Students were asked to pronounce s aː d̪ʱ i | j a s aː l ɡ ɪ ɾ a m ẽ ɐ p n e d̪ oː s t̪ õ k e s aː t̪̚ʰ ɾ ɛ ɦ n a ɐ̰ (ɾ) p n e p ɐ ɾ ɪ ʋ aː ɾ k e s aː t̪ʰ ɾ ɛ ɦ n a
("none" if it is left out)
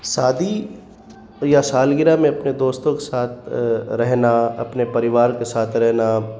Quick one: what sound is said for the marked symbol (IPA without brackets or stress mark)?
none